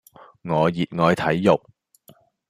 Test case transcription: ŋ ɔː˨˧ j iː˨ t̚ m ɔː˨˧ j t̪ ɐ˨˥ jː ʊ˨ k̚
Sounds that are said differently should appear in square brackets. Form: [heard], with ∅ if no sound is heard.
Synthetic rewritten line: ŋ ɔː˨˧ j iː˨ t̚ [ŋ] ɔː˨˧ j [t̪ʰ] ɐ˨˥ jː ʊ˨ k̚

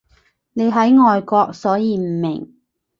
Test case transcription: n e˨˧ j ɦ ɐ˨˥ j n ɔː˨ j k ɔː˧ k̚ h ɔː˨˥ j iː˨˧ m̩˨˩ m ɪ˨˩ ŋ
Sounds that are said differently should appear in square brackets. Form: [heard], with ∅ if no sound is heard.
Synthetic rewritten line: n e˨˧ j ɦ ɐ˨˥ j [ŋ] ɔː˨ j k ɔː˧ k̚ [s] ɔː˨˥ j iː˨˧ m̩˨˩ m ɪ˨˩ ŋ

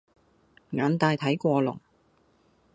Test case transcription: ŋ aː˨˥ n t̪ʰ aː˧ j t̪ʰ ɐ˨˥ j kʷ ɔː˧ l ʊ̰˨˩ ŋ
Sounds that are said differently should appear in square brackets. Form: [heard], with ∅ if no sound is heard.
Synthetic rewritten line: ŋ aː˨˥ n [t̪] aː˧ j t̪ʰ ɐ˨˥ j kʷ ɔː˧ l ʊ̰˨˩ ŋ

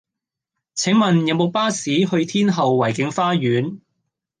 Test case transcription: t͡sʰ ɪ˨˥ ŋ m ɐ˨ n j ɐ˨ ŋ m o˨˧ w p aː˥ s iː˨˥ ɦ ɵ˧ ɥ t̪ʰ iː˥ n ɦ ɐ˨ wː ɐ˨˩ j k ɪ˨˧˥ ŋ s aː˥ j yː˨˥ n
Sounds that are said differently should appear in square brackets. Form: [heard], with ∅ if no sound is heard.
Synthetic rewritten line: t͡sʰ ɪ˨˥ ŋ m ɐ˨ n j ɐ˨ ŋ m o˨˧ w p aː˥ s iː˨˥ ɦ ɵ˧ ɥ t̪ʰ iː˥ n ɦ ɐ˨ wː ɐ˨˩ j k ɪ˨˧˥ ŋ [f] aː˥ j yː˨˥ n

